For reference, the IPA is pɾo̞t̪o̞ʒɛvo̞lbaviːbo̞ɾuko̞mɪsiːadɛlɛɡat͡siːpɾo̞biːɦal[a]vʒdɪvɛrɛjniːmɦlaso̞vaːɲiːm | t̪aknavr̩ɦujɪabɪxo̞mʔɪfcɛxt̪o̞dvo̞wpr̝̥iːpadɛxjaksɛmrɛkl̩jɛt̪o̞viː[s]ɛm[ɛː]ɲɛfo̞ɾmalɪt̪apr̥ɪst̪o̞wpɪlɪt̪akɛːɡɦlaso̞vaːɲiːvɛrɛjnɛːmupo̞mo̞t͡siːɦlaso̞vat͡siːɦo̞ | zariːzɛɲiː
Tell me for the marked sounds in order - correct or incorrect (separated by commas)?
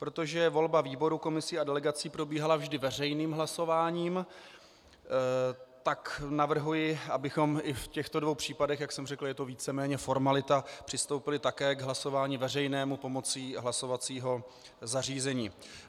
correct, incorrect, correct